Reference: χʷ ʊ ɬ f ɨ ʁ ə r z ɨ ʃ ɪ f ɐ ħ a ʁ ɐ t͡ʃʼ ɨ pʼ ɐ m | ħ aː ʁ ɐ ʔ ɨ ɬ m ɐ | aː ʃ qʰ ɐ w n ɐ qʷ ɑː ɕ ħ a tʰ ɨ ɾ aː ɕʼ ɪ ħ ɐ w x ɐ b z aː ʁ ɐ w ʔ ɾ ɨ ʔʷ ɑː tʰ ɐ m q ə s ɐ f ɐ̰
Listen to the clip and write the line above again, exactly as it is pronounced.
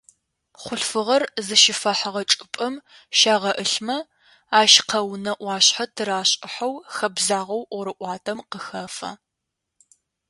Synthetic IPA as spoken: χʷ ʊ ɬ f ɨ ʁ ɐ r z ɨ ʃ ɪ f ɐ ħ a ʁ ɐ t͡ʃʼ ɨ pʼ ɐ m | ʃ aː ʁ ɐ ʔ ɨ ɬ m ɐ | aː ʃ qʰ ɐ w n ɐ ʔʷ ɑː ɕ ħ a tʰ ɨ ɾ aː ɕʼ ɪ ħ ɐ w x ɐ b z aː ʁ ɐ w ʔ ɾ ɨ ʔʷ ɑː tʰ ɐ m q ə x ɐ f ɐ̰